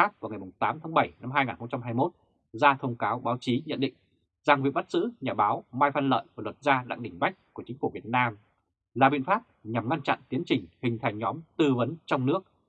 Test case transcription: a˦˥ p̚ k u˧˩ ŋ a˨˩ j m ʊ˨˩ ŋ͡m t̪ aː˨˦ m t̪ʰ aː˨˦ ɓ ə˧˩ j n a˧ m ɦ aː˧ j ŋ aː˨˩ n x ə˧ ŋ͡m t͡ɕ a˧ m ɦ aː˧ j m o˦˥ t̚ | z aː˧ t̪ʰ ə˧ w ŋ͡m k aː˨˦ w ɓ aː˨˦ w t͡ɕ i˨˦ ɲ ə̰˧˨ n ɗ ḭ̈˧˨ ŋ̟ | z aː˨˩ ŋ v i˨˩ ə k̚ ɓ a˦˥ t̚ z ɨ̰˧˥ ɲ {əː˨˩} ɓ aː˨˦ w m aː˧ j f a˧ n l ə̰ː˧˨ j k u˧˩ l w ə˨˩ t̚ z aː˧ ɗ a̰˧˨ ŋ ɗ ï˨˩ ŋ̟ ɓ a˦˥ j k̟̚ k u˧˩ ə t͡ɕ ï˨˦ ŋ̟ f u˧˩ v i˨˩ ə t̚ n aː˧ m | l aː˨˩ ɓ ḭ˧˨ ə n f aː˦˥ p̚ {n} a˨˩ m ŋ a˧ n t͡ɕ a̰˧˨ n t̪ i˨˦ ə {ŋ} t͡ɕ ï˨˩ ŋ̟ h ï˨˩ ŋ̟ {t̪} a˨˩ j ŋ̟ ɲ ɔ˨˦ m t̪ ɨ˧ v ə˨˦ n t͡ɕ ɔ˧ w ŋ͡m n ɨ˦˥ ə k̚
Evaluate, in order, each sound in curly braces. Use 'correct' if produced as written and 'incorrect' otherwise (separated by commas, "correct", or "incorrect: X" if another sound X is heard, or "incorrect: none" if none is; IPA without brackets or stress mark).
incorrect: aː˨˩, incorrect: ɲ, incorrect: n, incorrect: t̪ʰ